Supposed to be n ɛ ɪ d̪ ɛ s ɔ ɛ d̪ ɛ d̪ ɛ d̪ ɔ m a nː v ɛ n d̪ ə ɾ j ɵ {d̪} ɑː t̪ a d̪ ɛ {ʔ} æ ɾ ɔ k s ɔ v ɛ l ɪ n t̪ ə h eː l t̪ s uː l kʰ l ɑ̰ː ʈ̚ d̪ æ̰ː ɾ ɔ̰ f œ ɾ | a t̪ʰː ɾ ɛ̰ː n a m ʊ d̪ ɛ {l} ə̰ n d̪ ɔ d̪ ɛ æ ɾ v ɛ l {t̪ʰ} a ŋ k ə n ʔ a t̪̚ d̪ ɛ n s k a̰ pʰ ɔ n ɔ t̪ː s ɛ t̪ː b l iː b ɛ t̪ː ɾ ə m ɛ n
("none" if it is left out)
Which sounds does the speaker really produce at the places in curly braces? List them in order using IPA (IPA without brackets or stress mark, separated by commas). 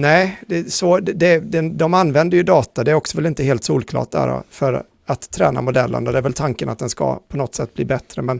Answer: d̪, none, lː, t̪ʰ